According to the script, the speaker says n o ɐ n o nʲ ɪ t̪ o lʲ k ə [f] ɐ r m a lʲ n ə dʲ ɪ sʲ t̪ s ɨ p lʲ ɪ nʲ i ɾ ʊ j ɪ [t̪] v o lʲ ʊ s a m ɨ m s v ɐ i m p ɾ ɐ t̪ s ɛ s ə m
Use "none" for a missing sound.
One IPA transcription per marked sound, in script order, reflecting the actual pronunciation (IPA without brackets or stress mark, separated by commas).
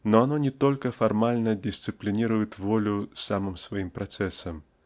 f, t̪